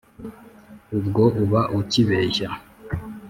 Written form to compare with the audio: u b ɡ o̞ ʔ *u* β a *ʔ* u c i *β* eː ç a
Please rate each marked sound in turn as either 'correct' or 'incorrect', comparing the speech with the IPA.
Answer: correct, correct, correct

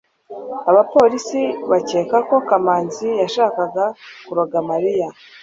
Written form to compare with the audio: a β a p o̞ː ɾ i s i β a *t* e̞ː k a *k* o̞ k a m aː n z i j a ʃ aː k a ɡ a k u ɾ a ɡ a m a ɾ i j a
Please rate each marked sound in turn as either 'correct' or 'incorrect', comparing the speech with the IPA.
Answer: incorrect, correct

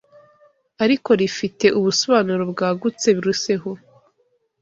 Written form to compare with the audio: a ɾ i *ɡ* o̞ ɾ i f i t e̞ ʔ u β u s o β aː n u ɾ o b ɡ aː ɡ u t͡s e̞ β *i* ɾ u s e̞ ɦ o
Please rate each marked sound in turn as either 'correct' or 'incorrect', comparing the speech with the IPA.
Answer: incorrect, correct

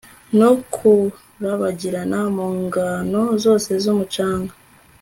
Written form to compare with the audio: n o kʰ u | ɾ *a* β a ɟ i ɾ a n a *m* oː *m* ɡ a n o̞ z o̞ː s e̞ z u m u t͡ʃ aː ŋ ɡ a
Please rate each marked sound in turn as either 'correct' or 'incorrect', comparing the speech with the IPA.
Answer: correct, correct, incorrect

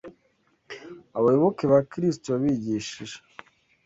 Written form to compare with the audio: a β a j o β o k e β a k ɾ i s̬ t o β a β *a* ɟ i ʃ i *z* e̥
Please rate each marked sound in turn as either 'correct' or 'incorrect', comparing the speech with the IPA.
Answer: incorrect, incorrect

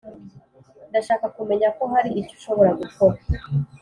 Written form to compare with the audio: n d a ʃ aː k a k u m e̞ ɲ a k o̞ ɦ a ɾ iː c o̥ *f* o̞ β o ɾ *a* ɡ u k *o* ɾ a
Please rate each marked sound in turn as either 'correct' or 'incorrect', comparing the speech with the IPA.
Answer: incorrect, correct, correct

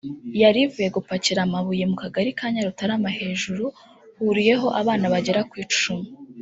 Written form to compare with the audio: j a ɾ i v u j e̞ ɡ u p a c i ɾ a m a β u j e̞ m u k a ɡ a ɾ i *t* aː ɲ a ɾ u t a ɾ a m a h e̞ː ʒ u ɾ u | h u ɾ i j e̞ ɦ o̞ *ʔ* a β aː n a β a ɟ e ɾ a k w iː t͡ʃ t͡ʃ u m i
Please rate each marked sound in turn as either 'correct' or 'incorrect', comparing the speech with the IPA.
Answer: incorrect, correct

